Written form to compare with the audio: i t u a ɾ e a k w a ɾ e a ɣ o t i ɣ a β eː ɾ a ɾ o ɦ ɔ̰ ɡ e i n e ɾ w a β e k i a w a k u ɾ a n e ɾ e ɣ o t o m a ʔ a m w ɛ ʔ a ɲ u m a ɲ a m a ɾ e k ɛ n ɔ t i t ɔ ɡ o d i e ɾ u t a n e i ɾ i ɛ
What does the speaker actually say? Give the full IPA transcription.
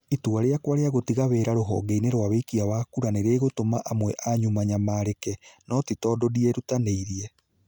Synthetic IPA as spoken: i t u a ɾ e a k w a ɾ e a ɣ o t i ɣ a β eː ɾ a ɾ o ɦ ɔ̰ ɡ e i n e ɾ w a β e k i a w a k u ɾ a n e ɾ e ɣ o t o m a ʔ a m w ɛ ʔ a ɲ u m a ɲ a m a ɾ e k ɛ n ɔ t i t ɔ d o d i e ɾ u t a n e i ɾ i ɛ